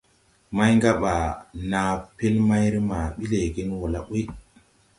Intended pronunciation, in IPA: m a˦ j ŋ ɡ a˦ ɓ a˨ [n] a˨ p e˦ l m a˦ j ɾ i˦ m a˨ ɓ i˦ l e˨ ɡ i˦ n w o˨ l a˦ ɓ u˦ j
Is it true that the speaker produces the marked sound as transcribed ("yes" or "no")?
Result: yes